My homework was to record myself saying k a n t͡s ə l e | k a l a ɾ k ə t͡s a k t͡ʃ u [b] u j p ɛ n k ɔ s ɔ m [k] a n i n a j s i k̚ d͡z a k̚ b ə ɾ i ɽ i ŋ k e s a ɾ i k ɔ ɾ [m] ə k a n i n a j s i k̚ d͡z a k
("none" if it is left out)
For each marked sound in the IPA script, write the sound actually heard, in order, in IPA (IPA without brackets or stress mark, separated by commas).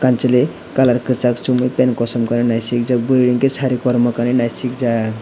m, k, m